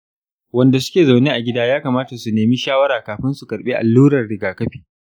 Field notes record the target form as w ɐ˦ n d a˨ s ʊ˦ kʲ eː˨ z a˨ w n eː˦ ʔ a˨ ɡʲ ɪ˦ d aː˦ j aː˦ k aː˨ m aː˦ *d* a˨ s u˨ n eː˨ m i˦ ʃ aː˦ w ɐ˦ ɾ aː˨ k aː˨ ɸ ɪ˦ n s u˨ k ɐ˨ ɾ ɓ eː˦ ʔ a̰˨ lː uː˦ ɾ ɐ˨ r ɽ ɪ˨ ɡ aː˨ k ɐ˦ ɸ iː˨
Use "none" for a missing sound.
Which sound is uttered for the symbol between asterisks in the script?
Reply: t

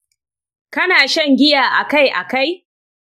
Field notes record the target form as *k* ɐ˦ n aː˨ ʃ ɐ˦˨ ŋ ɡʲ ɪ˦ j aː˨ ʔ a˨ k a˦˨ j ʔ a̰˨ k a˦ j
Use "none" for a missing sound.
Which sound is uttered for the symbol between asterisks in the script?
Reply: k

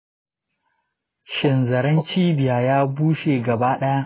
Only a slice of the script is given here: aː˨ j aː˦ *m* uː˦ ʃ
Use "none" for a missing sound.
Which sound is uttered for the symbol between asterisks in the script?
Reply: b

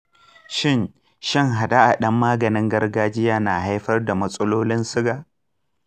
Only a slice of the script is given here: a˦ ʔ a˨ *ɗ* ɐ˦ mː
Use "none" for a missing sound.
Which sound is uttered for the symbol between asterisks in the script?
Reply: ɗ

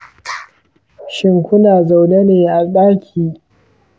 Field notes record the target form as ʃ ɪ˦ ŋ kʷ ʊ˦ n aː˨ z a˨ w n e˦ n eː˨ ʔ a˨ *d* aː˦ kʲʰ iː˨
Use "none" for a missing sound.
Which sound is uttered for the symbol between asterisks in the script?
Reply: ɗ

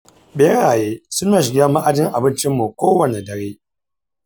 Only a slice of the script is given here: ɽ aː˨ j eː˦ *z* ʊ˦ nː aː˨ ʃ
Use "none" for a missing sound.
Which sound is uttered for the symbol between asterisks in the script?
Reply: s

